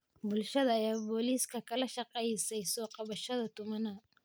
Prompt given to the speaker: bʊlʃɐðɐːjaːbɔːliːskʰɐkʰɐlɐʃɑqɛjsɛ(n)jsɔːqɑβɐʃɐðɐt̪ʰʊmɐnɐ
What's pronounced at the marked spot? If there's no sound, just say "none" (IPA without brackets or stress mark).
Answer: none